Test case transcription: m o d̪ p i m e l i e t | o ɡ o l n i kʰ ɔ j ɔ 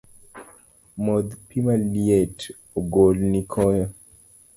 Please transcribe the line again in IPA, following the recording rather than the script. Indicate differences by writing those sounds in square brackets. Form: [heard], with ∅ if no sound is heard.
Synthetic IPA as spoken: m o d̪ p i m [a] l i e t | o ɡ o l n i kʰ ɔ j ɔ